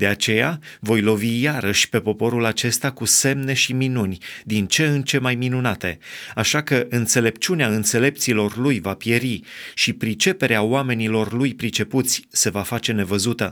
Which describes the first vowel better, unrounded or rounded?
unrounded